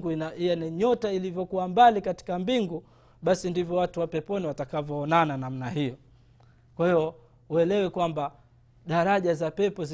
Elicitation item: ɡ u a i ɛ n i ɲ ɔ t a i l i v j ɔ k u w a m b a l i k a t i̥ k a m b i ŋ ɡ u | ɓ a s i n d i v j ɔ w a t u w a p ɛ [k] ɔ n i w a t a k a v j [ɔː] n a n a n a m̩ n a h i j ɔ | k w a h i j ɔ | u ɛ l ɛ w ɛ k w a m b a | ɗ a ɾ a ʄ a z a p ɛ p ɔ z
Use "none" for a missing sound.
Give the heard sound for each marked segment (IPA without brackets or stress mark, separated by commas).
p, ɔː